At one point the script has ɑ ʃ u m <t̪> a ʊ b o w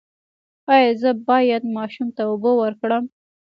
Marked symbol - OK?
yes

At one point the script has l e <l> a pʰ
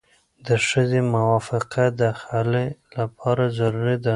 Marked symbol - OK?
yes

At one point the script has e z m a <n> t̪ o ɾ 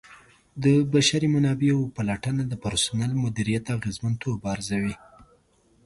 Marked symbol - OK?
yes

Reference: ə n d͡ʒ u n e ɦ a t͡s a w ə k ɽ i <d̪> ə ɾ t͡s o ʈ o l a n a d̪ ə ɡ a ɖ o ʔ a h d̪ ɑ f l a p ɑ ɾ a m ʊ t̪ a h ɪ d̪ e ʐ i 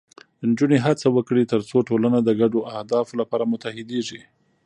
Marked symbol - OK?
no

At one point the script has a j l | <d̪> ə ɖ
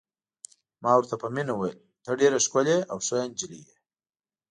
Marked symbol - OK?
no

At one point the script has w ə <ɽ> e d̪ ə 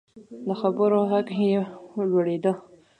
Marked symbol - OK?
yes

